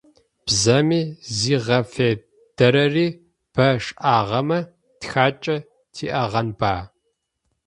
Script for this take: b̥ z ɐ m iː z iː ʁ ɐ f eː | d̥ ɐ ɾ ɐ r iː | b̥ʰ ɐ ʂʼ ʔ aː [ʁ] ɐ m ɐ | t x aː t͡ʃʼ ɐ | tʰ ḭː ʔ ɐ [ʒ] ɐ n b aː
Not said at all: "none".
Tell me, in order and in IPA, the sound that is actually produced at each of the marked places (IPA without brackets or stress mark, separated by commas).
ʁ, ʁ